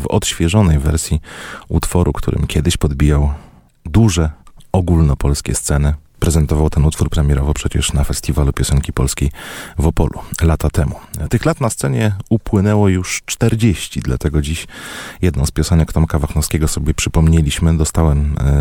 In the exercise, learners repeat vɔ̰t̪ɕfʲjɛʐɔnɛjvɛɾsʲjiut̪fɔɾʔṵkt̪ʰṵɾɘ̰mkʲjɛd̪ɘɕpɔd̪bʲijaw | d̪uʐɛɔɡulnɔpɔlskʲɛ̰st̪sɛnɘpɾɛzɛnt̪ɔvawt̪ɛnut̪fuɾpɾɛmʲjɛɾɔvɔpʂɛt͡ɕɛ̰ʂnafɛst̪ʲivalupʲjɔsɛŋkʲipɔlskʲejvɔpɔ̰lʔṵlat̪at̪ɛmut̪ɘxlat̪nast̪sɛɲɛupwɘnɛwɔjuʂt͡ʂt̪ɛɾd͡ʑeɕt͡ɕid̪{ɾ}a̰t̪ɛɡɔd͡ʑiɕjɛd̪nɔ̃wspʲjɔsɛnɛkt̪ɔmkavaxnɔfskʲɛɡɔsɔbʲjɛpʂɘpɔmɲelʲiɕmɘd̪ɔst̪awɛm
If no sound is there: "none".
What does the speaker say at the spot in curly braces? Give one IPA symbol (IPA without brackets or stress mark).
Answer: l